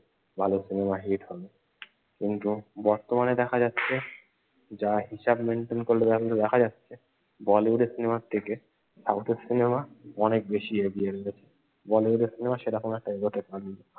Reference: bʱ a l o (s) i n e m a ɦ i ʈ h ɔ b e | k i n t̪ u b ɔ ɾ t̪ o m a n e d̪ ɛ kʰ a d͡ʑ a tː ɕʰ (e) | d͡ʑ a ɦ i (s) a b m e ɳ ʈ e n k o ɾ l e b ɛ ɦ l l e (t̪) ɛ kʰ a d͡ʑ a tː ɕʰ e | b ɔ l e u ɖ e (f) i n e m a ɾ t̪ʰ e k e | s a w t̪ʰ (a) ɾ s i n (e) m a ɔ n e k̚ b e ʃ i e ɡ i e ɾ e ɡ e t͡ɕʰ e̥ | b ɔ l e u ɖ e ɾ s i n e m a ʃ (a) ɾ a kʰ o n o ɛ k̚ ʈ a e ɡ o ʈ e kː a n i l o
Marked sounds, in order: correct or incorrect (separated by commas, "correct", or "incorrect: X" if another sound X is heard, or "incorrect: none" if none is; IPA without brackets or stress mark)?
correct, correct, incorrect: ʃ, incorrect: d̪, incorrect: s, incorrect: e, correct, incorrect: e